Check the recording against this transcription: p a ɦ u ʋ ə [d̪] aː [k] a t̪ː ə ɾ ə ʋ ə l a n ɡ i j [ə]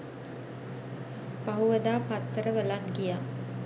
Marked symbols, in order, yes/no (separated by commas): yes, no, no